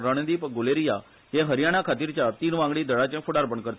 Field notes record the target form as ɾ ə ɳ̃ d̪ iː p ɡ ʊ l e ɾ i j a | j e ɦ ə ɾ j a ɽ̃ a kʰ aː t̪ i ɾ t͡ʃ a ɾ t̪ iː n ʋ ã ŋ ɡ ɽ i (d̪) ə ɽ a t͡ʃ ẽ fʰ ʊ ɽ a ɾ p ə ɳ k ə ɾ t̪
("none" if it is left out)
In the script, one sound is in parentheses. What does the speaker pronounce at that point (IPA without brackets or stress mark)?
d̪